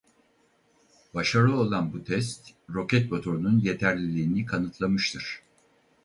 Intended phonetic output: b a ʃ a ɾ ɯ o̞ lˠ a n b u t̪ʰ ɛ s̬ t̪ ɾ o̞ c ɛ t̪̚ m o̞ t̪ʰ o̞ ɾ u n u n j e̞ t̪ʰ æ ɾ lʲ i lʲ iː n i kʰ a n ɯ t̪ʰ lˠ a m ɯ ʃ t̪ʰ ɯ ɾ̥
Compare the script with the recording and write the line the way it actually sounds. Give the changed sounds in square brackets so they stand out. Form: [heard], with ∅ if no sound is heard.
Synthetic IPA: b a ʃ a ɾ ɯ o̞ lˠ a n b u t̪ʰ ɛ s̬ t̪ ɾ o̞ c ɛ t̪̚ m o̞ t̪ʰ o̞ ɾ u n u n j e̞ t̪ʰ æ ɾ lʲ i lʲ iː n i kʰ a n ɯ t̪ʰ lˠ a m ɯ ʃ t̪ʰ ɯ ɾ̥

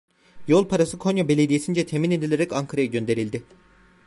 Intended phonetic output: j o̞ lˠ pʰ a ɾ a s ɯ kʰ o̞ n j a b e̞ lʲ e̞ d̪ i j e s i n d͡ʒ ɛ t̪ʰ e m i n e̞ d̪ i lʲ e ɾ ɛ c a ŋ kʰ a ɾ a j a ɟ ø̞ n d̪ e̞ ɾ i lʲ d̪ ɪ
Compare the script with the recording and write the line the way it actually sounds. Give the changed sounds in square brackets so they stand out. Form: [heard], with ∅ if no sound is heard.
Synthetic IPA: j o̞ lˠ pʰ a ɾ a s ɯ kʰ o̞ n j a b e̞ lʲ e̞ d̪ i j e s i n d͡ʒ ɛ t̪ʰ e m i n e̞ d̪ i lʲ e ɾ ɛ c a ŋ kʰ a ɾ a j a ɟ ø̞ n d̪ e̞ ɾ i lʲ d̪ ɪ

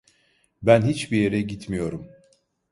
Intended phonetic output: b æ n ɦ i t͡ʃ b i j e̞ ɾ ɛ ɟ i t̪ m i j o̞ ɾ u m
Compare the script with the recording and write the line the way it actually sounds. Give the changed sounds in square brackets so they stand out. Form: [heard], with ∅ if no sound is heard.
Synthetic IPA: b æ n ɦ i t͡ʃ b i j e̞ ɾ ɛ ɟ i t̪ m i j o̞ ɾ u m

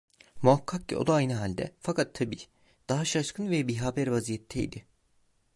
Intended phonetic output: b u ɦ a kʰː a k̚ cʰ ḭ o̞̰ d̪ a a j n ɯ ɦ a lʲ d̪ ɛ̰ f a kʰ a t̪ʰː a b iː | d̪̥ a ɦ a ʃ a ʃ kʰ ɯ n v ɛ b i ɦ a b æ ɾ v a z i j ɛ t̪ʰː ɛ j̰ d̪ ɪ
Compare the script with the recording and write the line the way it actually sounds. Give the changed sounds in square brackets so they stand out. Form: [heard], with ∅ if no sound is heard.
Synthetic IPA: [m] u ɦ a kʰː a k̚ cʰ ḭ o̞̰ d̪ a a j n ɯ ɦ a lʲ d̪ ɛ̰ f a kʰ a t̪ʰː a b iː | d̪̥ a ɦ a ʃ a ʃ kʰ ɯ n v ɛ b i ɦ a b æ ɾ v a z i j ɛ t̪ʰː ɛ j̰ d̪ ɪ

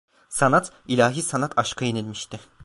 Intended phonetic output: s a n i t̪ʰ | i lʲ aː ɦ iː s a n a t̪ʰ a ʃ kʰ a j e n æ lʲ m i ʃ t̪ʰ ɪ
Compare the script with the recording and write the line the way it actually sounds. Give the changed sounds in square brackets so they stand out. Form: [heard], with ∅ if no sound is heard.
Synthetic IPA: s a n [a] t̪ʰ | i lʲ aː ɦ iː s a n a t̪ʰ a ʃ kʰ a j e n [i] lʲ m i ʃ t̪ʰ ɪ

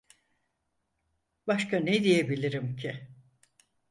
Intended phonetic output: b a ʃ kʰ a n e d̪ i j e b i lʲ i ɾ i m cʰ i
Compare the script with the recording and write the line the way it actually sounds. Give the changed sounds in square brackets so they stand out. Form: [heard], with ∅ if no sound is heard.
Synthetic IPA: b a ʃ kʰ a n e d̪ i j e b i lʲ i ɾ i m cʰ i

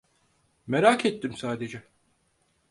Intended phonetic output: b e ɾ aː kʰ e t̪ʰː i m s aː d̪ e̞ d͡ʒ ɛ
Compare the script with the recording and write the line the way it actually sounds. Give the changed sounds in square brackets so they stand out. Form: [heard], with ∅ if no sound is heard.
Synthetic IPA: [m] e ɾ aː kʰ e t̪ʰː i m s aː d̪ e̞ d͡ʒ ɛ

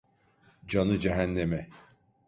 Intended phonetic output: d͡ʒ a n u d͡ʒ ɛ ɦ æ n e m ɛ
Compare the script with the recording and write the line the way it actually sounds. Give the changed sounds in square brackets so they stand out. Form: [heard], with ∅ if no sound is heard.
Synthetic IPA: d͡ʒ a n [ɯ] d͡ʒ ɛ ɦ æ [nː] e m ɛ

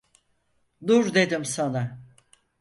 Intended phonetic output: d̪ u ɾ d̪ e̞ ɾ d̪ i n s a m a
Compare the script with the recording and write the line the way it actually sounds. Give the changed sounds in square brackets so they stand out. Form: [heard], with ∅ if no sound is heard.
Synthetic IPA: d̪ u ɾ d̪ e̞ [∅] d̪ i [m] s a [n] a

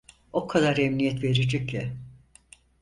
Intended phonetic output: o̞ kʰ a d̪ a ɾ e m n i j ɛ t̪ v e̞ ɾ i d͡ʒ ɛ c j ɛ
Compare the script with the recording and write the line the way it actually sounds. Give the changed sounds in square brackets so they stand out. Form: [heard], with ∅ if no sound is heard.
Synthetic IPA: o̞ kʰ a d̪ a ɾ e m n i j ɛ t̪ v e̞ ɾ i d͡ʒ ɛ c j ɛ

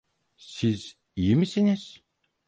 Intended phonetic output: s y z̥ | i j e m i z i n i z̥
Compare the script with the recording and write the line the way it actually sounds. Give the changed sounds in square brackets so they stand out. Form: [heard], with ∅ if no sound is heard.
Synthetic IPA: s [i] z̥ | i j [i] m i [s] i n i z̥

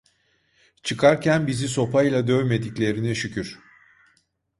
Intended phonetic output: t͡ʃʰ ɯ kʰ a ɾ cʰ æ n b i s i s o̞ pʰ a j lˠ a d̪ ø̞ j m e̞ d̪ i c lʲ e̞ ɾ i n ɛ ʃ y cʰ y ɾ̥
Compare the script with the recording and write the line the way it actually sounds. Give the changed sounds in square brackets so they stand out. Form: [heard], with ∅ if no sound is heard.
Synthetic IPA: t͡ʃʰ ɯ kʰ a ɾ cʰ æ n b i [z] i s o̞ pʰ a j lˠ a d̪ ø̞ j m e̞ d̪ i c lʲ e̞ ɾ i n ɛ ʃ y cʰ y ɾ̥

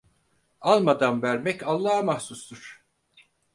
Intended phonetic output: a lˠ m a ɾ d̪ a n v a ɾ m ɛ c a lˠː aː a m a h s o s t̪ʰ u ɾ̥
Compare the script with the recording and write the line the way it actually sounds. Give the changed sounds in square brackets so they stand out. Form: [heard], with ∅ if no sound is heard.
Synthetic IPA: a lˠ m a [∅] d̪ a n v [æ] ɾ m ɛ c a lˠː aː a m a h s [u] s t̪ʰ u ɾ̥

